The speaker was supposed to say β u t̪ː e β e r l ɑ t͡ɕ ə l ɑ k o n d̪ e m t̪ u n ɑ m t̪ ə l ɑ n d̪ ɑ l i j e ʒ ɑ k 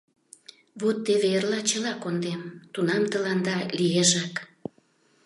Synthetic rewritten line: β u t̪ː e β e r l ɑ t͡ɕ ə l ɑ k o n d̪ e m t̪ u n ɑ m t̪ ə l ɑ n d̪ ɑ l i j e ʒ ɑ k